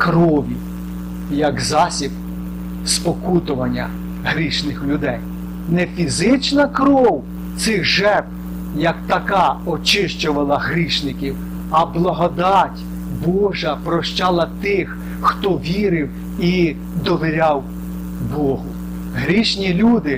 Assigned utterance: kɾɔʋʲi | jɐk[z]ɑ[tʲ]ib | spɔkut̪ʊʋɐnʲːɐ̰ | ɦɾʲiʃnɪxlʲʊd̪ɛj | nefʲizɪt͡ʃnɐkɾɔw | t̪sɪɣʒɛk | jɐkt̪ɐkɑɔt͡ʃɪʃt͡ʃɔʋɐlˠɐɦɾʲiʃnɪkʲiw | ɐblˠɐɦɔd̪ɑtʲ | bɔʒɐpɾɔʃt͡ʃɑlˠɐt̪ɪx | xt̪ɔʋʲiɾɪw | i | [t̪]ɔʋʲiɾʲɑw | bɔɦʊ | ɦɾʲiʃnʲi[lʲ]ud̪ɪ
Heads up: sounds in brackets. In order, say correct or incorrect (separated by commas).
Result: correct, incorrect, incorrect, correct